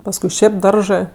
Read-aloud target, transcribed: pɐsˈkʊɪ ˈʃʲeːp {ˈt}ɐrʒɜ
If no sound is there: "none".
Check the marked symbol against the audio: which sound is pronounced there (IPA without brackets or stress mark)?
d